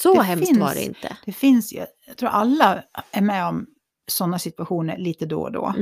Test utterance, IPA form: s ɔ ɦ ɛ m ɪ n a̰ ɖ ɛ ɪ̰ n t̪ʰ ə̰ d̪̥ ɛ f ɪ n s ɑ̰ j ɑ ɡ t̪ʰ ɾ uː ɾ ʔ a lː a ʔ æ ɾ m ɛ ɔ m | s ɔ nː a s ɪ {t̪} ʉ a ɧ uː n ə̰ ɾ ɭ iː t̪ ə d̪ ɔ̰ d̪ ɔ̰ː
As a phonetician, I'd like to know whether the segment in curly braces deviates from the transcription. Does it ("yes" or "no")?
no